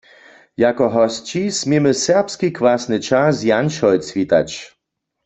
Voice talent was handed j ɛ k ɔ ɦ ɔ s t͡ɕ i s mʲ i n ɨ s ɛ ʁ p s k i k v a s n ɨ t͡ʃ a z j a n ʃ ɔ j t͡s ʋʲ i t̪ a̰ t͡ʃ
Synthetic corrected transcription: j a k ɔ ɦ ɔ s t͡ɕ i s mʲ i m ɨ s ɛ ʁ p s k i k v a s n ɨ t͡ʃ a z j a n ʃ ɔ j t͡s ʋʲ i t̪ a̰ t͡ʃ